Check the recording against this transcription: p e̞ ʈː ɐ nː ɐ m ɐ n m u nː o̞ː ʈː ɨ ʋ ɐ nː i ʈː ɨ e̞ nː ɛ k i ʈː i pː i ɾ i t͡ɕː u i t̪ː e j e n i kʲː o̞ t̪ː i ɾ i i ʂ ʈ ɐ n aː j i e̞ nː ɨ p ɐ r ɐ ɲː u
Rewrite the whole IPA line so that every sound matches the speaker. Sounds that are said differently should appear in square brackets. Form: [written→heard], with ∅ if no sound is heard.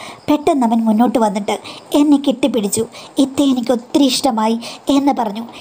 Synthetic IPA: p e̞ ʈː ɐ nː ɐ m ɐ n m u nː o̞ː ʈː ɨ ʋ ɐ nː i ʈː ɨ e̞ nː [ɛ→e] k i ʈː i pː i [ɾ→ɽ] i t͡ɕː u i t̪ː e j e n i kʲː o̞ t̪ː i ɾ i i ʂ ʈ ɐ [n→m] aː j i e̞ nː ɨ p ɐ r ɐ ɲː u